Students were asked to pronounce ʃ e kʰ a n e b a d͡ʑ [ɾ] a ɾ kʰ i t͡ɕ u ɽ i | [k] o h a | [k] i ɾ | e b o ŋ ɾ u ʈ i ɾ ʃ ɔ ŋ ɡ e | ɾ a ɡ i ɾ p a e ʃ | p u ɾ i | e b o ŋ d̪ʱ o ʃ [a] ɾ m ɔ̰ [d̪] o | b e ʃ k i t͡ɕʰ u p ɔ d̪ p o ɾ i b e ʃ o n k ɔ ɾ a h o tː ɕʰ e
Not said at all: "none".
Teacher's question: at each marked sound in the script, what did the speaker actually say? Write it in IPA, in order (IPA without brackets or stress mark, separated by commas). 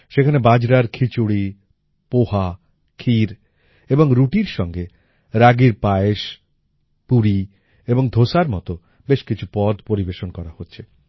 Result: ɾ, p, kʰ, a, t̪